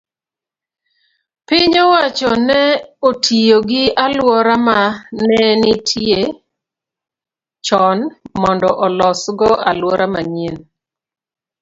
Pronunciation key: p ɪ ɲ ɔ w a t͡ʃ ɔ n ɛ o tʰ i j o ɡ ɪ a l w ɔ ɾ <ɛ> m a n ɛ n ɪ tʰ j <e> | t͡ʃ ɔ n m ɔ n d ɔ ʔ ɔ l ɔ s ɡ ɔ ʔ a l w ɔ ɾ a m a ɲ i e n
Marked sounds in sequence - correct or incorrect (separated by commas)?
incorrect, correct